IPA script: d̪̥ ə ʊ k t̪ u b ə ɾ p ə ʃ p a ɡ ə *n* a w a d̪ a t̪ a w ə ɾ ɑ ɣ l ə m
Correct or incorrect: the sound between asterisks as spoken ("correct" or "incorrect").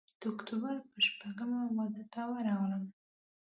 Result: incorrect